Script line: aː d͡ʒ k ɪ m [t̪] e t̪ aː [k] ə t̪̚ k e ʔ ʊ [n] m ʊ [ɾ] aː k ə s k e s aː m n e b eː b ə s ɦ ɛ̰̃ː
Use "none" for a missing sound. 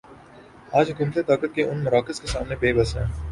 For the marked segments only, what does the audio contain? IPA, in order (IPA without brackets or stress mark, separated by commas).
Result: t̪, k, n, ɾ